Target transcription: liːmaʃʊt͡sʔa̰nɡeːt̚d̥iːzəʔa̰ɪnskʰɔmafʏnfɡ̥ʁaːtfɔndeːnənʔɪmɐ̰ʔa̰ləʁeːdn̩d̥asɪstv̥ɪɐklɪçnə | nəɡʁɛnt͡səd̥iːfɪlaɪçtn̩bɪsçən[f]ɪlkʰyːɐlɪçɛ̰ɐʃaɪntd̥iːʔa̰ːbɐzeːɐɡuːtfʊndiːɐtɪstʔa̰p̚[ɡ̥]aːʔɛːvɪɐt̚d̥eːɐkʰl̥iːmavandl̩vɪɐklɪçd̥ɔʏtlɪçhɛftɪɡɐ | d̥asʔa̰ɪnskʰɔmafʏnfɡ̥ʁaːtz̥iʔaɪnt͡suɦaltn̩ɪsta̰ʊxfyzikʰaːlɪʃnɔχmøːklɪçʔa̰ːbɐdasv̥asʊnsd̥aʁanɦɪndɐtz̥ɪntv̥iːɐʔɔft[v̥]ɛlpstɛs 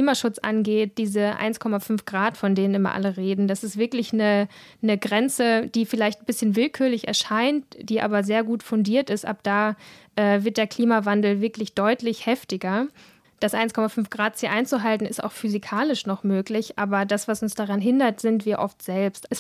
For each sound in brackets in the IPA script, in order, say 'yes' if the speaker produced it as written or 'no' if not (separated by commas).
no, no, no